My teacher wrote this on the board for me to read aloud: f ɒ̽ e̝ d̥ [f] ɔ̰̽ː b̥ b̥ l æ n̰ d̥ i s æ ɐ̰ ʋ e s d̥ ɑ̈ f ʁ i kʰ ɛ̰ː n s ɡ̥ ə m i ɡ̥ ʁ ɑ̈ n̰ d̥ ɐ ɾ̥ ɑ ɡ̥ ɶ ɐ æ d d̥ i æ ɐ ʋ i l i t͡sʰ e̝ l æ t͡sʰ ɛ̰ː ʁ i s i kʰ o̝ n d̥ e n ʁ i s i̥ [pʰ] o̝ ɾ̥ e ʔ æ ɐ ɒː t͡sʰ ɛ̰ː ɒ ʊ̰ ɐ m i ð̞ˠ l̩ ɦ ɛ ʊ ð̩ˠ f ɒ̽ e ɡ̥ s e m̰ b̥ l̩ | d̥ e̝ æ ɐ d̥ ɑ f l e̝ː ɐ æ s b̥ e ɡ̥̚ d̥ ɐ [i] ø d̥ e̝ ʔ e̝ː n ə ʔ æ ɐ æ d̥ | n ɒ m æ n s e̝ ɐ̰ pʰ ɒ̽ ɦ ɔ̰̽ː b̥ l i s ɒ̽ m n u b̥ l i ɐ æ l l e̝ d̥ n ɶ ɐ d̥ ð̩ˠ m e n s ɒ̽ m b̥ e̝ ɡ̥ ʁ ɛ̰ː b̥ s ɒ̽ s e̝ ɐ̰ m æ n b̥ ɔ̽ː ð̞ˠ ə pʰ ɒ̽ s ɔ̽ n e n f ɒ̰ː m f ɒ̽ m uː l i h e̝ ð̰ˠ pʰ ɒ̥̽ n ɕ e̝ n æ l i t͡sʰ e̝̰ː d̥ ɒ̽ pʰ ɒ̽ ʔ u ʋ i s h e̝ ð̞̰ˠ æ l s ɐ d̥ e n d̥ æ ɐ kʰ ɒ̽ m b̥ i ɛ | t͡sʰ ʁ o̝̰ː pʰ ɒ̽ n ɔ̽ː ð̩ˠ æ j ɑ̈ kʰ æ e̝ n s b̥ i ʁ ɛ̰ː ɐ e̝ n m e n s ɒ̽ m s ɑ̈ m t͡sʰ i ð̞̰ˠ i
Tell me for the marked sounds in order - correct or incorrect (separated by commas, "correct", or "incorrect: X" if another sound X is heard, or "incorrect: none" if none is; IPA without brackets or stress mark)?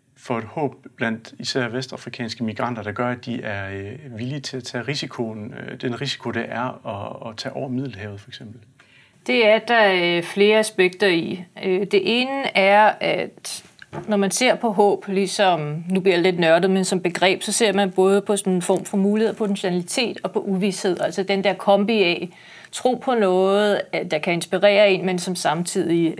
incorrect: h, incorrect: kʰ, correct